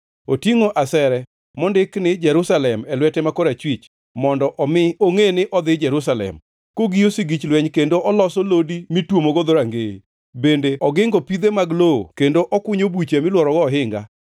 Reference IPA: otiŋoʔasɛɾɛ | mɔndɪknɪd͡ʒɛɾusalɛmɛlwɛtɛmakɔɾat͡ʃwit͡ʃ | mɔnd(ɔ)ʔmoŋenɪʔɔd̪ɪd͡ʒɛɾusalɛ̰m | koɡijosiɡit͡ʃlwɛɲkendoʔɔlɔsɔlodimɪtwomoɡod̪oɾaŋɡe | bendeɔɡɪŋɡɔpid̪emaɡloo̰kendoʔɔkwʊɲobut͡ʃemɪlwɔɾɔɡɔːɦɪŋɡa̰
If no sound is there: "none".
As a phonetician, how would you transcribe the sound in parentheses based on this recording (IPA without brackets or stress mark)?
ɔ